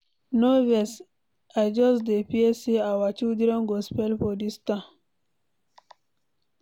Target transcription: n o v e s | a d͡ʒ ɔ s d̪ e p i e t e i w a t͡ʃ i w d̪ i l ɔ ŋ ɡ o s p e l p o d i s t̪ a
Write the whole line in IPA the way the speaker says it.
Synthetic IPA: n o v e s | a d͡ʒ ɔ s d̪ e p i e s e a w a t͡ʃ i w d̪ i ɾ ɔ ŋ ɡ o s p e l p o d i s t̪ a